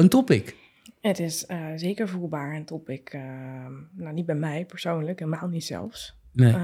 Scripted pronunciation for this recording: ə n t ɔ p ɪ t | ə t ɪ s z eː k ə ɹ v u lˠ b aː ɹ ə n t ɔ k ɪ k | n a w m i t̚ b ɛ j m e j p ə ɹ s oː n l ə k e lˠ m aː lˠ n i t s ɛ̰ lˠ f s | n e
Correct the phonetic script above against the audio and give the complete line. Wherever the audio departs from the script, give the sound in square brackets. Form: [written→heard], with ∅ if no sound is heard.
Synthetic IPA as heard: ə n t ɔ p ɪ [t→k] | ə t ɪ s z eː k ə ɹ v u lˠ b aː ɹ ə n t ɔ [k→p] ɪ k | n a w [m→n] i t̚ b ɛ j m [e→ɛ] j p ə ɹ s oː n l ə k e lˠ m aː lˠ n i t s ɛ̰ lˠ f s | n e